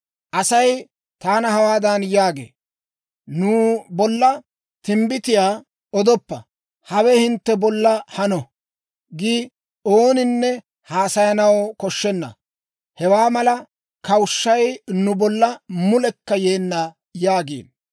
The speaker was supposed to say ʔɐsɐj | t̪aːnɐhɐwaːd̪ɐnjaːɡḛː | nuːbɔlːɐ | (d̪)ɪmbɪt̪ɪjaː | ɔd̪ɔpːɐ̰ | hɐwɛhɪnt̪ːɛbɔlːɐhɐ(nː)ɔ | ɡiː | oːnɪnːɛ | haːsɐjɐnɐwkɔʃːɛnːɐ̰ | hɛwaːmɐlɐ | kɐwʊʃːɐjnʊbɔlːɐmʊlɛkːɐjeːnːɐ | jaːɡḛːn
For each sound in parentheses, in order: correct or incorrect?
incorrect: t̪, incorrect: n

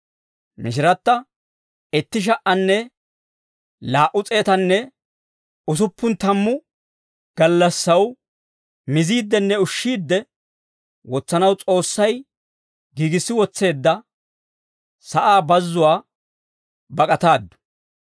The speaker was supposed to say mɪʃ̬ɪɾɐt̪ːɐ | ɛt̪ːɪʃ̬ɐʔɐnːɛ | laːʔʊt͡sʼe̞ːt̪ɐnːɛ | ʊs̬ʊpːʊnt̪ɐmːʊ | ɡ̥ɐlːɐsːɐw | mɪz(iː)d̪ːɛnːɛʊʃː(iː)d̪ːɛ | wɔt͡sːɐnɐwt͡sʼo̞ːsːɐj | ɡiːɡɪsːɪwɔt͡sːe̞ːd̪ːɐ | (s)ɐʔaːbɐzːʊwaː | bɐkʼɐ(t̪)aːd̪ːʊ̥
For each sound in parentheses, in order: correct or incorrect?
correct, correct, correct, correct

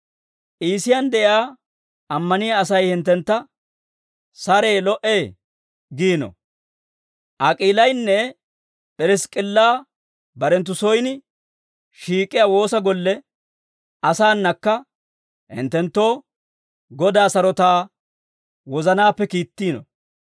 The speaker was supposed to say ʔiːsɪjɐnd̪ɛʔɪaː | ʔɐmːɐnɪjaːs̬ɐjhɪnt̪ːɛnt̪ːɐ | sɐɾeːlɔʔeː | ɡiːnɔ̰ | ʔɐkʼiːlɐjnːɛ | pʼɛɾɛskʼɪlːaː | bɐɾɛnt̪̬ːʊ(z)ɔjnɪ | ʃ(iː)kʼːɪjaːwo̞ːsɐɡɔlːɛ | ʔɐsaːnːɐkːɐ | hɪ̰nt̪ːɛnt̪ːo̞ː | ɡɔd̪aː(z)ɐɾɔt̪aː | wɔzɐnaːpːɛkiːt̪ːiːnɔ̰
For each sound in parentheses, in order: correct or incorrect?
incorrect: s, correct, incorrect: s

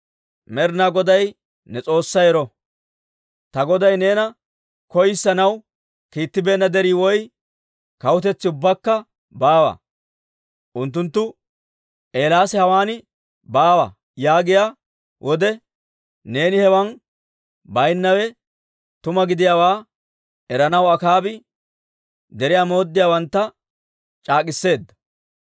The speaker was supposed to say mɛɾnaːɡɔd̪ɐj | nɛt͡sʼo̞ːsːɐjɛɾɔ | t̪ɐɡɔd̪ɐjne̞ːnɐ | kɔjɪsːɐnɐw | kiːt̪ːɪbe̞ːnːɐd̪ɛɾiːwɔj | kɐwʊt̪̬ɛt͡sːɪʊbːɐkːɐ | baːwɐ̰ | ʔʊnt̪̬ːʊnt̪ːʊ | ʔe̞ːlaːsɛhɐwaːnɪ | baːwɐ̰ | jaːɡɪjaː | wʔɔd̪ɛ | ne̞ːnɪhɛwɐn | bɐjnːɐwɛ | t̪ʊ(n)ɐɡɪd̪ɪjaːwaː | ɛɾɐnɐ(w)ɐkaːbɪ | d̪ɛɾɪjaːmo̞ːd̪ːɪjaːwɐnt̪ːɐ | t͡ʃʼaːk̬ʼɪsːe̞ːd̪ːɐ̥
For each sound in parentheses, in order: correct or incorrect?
incorrect: m, correct

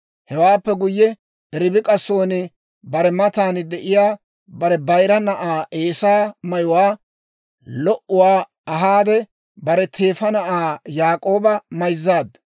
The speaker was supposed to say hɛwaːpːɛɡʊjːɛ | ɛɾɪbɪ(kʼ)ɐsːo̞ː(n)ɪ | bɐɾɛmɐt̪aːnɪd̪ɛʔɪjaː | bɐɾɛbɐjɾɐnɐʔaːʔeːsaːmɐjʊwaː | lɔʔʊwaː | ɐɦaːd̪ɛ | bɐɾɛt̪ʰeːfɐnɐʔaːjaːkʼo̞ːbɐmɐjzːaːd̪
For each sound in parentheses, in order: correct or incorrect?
correct, correct

